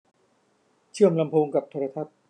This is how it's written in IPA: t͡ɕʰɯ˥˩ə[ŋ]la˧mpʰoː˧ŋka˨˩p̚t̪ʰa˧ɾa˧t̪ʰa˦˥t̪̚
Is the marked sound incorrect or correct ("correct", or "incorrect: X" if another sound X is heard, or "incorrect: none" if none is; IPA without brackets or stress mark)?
incorrect: m